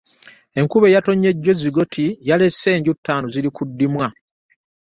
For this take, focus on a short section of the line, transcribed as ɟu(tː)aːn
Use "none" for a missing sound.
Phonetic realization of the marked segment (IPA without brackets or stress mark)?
tː